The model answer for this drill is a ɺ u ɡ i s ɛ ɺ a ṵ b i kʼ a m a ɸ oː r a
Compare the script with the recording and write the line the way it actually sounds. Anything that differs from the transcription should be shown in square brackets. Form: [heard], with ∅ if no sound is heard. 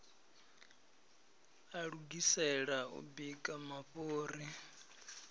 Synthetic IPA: a ɺ u ɡ i s ɛ ɺ a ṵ b i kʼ a m a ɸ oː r [i]